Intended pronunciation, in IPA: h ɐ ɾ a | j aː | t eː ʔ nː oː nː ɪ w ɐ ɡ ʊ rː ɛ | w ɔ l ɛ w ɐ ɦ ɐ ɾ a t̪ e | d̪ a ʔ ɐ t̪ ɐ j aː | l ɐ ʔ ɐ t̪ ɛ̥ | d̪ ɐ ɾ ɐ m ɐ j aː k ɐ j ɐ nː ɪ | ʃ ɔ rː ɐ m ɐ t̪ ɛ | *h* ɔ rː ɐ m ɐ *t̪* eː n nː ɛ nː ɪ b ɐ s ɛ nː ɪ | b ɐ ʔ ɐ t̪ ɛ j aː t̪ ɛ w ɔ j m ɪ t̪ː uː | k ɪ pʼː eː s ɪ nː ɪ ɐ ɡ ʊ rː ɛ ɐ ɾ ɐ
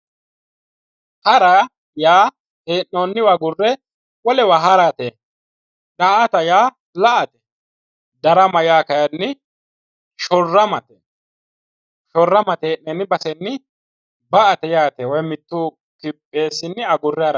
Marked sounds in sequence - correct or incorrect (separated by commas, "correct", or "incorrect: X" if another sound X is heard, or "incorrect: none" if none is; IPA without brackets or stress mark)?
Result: incorrect: ʃ, correct